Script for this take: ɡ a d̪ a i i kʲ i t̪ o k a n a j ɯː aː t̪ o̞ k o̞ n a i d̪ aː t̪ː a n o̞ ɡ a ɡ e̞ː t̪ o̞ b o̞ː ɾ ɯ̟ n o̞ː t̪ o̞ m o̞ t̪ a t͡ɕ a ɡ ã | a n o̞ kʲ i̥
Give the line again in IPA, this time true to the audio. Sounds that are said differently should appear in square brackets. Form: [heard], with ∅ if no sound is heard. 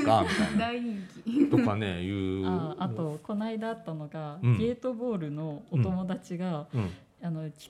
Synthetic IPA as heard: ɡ a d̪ a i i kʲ i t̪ o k a n [e] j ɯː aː t̪ o̞ k o̞ n a i d̪ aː t̪ː a n o̞ ɡ a ɡ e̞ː t̪ o̞ b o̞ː ɾ ɯ̟ n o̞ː t̪ o̞ m o̞ [d̪] a t͡ɕ [i] ɡ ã | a n o̞ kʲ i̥